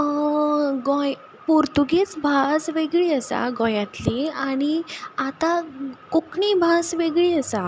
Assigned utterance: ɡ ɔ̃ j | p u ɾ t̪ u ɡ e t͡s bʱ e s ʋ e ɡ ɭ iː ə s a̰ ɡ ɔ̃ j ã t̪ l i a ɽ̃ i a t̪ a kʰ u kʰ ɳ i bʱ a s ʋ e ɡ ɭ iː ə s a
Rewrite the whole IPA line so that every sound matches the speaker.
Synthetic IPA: ɡ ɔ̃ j | p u ɾ t̪ u ɡ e t͡s bʱ a s ʋ e ɡ ɭ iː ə s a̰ ɡ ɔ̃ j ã t̪ l i a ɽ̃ i a t̪ a k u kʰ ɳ i bʱ a s ʋ e ɡ ɭ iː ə s a